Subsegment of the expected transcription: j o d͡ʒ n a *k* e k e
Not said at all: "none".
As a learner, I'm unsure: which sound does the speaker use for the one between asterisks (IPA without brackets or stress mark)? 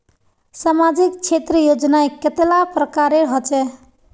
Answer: none